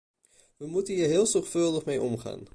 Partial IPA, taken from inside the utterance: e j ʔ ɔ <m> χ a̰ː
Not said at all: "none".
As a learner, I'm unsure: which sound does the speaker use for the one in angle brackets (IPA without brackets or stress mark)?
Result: m